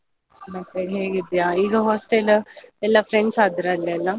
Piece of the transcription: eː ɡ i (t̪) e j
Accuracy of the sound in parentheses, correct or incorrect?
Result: incorrect